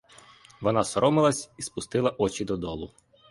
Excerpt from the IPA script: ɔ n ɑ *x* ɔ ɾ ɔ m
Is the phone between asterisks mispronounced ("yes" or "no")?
yes